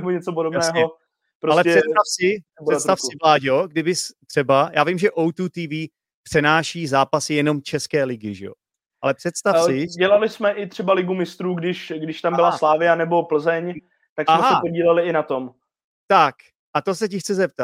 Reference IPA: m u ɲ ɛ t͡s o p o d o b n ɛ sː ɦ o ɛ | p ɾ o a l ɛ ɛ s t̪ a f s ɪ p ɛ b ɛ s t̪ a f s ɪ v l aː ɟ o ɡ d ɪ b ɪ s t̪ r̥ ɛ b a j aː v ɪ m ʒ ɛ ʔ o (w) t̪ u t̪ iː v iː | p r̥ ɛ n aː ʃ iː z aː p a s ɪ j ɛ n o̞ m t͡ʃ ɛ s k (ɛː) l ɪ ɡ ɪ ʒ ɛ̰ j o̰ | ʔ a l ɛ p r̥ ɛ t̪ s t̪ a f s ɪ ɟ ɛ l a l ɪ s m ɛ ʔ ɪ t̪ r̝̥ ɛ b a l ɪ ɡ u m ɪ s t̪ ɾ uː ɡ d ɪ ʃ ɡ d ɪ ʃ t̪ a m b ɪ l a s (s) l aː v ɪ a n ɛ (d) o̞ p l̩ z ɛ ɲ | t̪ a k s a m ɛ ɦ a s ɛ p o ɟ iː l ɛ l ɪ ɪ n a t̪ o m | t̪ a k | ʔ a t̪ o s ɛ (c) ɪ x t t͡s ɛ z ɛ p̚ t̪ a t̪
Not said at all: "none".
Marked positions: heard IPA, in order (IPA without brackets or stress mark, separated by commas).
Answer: w, ɛː, s, b, c